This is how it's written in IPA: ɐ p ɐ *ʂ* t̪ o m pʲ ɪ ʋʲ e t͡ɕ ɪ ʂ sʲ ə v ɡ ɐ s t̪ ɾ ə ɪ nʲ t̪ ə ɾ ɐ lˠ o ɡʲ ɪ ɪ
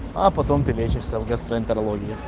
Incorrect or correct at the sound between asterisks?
incorrect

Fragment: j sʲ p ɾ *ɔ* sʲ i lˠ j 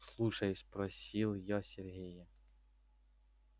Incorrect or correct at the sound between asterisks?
correct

